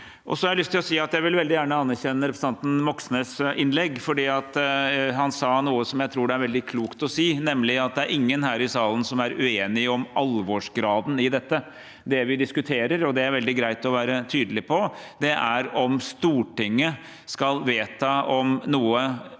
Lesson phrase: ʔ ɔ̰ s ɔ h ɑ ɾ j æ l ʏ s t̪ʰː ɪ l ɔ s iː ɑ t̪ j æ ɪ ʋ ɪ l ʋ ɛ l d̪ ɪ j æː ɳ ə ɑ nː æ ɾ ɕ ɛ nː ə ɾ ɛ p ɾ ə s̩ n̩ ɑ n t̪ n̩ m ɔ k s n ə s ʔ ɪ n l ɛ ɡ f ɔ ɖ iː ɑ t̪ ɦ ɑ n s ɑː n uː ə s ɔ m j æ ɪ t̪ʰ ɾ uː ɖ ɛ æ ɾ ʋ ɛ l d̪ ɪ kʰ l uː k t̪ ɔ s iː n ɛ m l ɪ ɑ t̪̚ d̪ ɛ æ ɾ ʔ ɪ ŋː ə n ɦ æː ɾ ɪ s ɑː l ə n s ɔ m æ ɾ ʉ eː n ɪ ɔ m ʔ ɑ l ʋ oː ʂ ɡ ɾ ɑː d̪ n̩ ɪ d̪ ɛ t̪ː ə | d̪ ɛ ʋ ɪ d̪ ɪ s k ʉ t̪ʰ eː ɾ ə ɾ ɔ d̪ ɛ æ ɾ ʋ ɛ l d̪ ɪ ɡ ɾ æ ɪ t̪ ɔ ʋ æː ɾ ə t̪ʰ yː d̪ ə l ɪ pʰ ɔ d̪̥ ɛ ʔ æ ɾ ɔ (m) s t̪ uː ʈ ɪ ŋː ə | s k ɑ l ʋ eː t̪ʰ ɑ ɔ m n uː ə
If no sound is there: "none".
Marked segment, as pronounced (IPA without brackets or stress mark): m